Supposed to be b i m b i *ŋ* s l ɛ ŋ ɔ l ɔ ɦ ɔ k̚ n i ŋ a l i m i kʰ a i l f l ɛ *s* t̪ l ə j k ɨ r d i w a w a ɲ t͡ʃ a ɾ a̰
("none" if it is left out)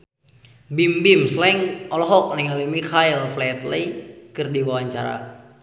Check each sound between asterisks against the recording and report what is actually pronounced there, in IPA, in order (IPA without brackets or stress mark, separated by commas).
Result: m, none